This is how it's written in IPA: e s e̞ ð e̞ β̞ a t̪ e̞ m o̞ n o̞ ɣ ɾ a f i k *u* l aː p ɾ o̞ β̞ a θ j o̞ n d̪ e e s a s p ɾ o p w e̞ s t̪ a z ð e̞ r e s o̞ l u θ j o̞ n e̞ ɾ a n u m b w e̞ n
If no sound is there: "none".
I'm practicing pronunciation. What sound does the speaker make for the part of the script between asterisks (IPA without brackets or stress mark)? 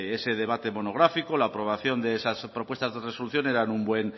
o